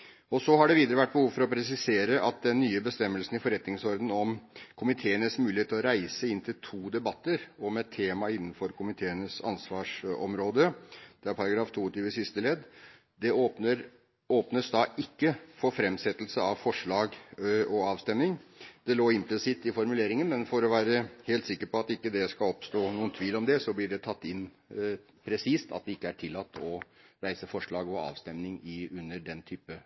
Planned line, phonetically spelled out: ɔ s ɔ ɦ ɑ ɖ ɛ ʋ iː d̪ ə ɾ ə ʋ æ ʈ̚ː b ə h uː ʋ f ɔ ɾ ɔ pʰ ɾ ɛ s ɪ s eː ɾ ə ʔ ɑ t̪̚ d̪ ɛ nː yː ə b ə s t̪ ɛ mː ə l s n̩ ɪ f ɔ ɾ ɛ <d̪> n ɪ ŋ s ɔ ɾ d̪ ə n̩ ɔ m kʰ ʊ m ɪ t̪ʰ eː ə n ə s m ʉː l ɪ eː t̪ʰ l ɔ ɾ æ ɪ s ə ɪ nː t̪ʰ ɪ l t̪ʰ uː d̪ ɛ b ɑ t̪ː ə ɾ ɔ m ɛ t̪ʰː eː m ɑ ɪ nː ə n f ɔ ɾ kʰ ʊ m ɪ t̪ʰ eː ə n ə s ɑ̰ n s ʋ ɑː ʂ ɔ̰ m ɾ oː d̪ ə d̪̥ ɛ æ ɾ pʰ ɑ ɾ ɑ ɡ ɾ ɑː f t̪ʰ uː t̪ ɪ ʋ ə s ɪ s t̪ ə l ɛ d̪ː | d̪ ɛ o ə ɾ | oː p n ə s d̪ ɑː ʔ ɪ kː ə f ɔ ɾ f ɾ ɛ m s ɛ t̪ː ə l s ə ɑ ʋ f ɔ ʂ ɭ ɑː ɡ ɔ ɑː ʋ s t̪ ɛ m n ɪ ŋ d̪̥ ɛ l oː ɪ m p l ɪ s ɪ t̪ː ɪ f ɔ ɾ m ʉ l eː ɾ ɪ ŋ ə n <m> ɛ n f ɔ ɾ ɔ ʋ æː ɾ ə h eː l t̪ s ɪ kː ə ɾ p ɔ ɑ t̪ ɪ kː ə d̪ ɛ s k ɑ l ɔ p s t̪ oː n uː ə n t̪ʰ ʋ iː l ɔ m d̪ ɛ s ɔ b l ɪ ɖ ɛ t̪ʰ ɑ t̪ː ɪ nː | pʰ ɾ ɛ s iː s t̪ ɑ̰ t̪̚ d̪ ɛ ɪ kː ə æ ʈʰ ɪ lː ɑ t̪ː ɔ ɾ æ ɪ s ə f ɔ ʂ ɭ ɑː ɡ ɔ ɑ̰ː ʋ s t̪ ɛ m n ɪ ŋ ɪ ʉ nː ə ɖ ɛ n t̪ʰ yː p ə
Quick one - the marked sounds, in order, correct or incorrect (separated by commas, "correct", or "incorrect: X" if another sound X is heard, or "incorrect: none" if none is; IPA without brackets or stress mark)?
incorrect: t̪, correct